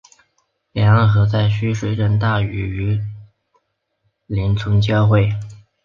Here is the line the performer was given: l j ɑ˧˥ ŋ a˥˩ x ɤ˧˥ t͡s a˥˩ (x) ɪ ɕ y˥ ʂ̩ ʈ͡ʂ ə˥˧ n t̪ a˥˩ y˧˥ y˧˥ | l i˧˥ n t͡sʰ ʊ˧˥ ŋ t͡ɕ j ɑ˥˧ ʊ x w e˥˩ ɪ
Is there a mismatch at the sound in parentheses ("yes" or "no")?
yes